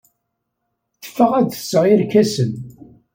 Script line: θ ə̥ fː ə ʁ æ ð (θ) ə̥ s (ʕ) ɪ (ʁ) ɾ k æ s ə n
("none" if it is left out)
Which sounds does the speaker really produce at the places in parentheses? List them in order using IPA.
θ, ʁ, none

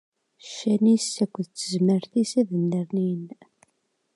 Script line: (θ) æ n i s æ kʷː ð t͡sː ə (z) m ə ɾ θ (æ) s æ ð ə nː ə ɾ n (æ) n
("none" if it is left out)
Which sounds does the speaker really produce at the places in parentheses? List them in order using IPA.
ʃ, z, i, i

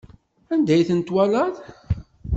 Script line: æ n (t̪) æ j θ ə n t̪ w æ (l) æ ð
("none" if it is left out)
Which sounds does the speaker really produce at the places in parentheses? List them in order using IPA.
d̪, l

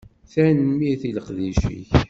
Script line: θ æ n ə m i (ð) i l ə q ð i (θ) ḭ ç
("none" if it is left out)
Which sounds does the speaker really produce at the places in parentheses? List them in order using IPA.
θ, ʃ

